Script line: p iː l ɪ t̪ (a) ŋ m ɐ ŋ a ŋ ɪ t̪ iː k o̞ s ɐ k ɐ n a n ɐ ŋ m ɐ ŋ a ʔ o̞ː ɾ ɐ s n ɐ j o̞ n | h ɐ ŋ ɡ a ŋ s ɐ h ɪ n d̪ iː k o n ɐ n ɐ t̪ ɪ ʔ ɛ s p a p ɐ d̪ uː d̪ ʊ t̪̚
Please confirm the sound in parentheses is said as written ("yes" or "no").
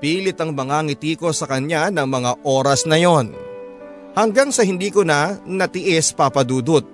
no